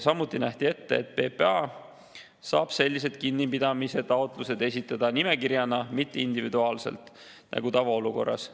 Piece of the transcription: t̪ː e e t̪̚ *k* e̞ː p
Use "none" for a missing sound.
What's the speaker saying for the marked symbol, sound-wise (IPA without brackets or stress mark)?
p